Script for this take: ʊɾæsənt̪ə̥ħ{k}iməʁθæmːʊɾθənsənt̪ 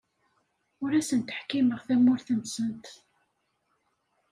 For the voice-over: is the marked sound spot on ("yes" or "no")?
yes